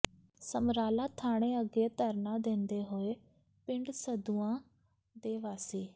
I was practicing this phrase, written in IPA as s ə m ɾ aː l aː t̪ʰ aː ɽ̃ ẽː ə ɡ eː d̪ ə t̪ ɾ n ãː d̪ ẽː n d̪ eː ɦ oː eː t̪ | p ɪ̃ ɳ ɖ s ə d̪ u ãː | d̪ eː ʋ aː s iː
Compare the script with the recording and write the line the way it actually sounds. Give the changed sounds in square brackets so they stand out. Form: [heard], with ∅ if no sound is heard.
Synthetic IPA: s ə m ɾ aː l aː t̪ʰ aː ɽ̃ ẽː ə ɡ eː [t̪] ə [∅] ɾ n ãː d̪ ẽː n d̪ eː ɦ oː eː [∅] | p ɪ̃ ɳ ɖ s ə d̪ u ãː | d̪ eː ʋ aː s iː